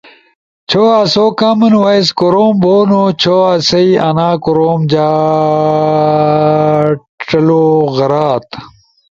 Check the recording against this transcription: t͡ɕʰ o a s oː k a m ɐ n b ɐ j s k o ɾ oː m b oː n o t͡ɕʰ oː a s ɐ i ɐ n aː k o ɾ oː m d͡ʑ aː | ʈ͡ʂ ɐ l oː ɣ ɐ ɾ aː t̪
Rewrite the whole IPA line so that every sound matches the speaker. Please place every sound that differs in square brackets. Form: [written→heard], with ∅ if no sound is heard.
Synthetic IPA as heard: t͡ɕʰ o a s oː k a m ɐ n [b→w] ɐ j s k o ɾ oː m b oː n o t͡ɕʰ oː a s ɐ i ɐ n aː k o ɾ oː m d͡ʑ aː | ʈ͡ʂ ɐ l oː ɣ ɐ ɾ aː t̪